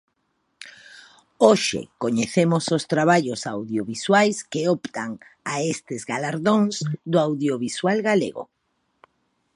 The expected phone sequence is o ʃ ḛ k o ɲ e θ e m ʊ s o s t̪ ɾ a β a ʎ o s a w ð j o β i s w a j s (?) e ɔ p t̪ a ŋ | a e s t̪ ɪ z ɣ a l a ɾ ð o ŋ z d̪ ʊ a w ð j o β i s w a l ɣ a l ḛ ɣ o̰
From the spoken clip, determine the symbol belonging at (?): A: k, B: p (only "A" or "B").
A